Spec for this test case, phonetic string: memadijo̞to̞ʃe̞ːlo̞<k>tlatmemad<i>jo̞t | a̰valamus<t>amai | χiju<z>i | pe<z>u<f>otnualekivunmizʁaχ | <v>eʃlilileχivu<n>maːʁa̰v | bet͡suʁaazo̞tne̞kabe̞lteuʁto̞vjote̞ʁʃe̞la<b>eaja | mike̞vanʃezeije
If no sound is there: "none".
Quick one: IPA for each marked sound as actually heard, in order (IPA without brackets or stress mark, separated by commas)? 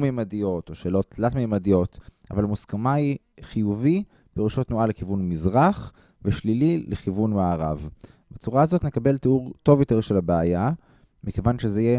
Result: t, i, k, v, ʁ, ʃ, v, n, b